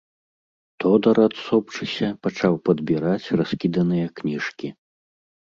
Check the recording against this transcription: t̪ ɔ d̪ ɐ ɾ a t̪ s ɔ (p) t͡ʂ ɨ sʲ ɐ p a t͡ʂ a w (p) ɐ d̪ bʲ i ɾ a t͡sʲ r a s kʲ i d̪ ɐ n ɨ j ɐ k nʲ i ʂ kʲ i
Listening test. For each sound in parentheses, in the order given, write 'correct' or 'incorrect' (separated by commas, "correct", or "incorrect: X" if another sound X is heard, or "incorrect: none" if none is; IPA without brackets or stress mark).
correct, correct